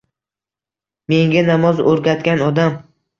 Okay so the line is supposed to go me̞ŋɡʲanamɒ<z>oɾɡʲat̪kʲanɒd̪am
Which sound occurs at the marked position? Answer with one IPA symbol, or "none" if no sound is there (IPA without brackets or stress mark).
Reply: z